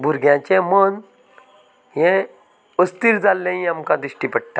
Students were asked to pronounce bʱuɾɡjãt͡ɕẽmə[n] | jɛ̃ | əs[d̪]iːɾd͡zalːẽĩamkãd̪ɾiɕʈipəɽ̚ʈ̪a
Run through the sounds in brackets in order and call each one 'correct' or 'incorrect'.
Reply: correct, incorrect: t̪

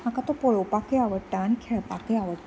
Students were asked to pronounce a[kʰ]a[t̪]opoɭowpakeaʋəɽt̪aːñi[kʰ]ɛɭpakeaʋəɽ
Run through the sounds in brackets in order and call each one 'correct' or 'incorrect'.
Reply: incorrect: k, correct, correct

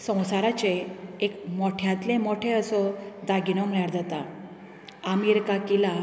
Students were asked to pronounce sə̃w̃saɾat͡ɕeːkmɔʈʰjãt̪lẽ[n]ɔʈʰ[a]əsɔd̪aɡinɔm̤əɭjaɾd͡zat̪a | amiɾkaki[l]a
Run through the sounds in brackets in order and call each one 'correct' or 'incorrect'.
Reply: incorrect: m, incorrect: e, correct

